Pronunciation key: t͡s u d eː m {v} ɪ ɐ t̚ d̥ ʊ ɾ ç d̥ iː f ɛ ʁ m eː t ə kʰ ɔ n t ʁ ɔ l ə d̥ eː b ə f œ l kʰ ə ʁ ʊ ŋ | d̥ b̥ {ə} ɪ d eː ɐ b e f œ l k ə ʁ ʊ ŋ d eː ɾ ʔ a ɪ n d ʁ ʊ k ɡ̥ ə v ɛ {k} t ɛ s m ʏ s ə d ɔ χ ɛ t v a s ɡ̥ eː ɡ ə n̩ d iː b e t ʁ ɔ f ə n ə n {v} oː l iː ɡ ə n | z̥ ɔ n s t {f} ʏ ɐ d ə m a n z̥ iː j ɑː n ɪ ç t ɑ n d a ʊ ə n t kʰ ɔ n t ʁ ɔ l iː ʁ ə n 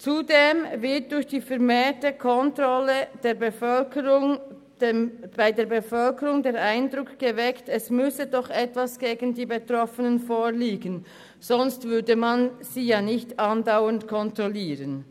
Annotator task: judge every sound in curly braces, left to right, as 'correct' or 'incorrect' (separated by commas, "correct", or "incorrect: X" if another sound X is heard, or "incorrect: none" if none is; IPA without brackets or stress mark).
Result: correct, incorrect: a, correct, incorrect: f, incorrect: v